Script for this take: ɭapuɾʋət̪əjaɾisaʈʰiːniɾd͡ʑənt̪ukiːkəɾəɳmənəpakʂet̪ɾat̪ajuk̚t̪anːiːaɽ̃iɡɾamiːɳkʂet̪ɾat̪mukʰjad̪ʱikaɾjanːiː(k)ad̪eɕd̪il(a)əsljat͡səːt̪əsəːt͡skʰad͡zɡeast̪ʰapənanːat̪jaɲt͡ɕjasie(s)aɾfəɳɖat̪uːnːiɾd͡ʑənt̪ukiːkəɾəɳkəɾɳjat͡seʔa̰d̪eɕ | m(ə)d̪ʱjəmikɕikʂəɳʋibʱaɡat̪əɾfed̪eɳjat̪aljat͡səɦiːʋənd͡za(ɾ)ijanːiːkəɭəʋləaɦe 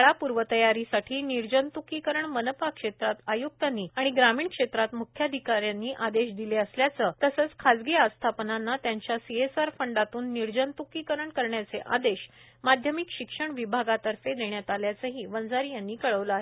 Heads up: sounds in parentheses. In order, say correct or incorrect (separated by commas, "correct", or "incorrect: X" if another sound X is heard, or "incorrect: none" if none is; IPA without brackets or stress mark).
incorrect: ʔ, incorrect: e, correct, incorrect: a, correct